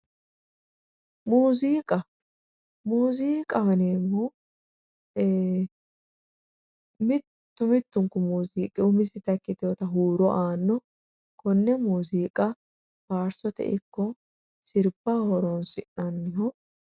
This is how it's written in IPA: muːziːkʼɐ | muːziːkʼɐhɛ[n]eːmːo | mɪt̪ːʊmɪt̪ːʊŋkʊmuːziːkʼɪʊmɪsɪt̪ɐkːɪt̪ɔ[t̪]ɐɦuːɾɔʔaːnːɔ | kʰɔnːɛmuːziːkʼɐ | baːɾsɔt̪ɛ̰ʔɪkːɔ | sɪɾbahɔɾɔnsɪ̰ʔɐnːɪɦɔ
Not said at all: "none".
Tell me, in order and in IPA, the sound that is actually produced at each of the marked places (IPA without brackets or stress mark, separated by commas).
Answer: n, t̪